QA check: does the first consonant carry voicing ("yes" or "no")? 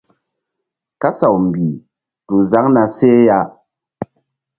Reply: no